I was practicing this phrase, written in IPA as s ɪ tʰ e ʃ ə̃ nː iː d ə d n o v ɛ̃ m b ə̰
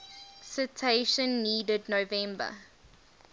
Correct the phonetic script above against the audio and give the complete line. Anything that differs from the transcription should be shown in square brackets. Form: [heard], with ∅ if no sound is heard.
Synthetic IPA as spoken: s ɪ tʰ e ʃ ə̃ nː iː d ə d n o v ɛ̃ m b ə̰

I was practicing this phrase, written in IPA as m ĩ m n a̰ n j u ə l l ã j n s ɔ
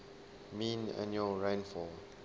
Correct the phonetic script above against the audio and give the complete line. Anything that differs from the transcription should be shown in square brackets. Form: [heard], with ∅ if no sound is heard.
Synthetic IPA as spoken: m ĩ [∅] n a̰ n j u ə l [ɹ] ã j n [f] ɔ

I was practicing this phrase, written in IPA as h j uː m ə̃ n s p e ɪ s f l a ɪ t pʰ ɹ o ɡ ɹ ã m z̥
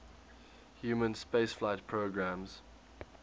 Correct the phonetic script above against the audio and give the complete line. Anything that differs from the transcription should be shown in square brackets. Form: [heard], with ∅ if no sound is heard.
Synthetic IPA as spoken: h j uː m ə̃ n s p e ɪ s f l a ɪ t pʰ ɹ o ɡ ɹ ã m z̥

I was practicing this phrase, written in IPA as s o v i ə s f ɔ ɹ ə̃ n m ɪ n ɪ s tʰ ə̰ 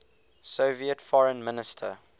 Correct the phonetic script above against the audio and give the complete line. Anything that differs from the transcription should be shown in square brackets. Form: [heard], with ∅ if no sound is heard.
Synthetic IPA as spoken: s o v i ə [t] f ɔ ɹ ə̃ n m ɪ n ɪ s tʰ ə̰

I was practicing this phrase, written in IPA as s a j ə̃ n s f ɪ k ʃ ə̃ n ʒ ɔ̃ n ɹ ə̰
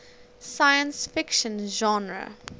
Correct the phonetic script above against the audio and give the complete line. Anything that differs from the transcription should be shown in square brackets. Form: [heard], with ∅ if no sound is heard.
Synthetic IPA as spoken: s a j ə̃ n s f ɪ k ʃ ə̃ n ʒ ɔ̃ n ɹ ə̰

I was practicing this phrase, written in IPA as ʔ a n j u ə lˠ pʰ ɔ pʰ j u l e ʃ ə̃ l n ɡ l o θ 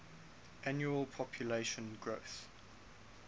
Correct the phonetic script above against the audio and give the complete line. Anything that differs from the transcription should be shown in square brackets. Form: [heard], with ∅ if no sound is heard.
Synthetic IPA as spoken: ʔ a n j u ə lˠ pʰ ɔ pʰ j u l e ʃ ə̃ [∅] n ɡ [ɹ] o θ

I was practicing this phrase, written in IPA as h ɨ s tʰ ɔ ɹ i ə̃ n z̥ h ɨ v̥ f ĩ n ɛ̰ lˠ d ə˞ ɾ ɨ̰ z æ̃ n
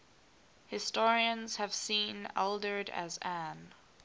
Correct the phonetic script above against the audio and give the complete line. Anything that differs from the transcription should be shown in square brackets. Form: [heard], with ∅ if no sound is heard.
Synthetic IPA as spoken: h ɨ s [t] ɔ ɹ i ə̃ n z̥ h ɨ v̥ [s] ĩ n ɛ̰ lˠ d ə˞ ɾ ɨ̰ z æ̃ n

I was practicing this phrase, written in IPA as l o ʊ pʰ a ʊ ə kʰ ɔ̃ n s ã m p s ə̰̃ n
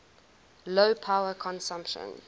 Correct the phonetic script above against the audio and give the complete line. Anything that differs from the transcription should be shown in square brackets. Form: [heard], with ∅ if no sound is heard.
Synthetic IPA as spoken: l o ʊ pʰ a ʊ ə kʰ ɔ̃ n s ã m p [ʃ] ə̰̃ n

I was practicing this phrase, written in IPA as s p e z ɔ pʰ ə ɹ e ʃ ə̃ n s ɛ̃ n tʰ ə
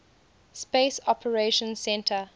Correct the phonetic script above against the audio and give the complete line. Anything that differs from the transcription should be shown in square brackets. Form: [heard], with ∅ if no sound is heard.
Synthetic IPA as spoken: s p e [s] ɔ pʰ ə ɹ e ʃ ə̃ n s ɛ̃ n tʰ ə

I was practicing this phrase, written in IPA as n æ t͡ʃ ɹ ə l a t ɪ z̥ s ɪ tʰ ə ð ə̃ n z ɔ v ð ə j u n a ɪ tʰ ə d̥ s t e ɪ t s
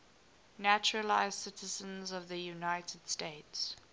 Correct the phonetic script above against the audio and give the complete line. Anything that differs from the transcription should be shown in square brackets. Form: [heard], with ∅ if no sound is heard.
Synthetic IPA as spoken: n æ t͡ʃ ɹ ə l a [∅] ɪ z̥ s ɪ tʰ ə [z] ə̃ n z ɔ v ð ə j u n a ɪ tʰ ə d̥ s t e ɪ t s

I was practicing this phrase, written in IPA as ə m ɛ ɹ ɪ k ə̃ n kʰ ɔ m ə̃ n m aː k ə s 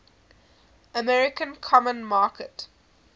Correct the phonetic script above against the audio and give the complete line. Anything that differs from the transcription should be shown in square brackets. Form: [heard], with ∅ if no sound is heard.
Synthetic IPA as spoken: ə m ɛ ɹ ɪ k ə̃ n kʰ ɔ m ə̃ n m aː k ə [t]

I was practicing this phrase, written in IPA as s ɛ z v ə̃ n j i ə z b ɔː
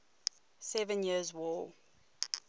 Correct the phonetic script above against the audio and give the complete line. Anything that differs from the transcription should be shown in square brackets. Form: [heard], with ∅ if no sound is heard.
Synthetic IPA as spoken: s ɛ [∅] v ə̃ n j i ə z [w] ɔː

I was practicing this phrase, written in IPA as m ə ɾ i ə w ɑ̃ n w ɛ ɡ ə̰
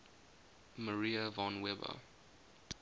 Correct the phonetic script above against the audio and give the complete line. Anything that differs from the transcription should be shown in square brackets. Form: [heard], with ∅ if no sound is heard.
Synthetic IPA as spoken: m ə [ɹ] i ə [v] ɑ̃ n w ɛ [b] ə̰

